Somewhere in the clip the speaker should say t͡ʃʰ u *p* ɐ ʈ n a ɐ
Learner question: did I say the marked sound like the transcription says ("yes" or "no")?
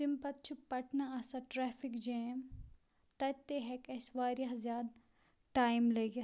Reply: yes